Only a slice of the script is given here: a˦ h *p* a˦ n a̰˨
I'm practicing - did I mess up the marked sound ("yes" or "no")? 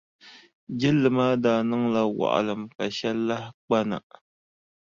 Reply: yes